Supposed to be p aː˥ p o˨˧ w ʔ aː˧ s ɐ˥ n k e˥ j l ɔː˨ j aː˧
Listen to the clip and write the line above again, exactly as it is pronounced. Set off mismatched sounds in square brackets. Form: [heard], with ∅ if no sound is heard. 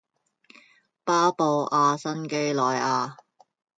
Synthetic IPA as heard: p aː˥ p o˨˧ w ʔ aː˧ s ɐ˥ n k e˥ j l ɔː˨ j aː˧